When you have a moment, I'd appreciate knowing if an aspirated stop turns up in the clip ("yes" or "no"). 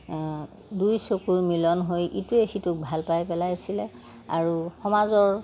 no